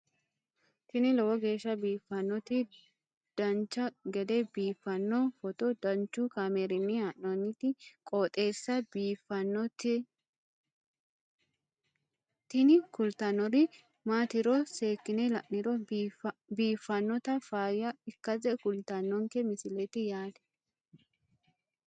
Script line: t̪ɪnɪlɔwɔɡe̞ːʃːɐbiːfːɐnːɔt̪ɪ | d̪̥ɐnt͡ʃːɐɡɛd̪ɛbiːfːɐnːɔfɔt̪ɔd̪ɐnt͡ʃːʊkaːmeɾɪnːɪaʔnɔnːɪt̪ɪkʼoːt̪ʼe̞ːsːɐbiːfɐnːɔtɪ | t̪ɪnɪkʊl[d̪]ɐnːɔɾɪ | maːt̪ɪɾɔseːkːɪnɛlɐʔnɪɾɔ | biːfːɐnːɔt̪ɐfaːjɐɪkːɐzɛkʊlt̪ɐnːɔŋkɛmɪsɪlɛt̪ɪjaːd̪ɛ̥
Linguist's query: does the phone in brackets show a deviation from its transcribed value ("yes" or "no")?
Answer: yes